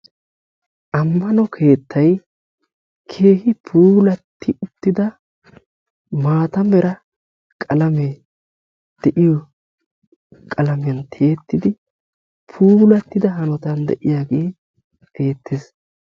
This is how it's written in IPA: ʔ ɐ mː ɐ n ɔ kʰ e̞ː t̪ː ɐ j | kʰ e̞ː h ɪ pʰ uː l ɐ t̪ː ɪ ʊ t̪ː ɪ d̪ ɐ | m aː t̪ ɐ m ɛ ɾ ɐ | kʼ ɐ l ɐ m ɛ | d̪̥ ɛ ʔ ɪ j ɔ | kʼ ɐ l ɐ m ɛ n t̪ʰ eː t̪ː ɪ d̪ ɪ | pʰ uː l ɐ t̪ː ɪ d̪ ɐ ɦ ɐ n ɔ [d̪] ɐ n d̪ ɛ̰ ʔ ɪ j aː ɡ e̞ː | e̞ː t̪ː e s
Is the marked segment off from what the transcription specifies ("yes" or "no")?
yes